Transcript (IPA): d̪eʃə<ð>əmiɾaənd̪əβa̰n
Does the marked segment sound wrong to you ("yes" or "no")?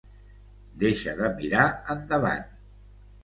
no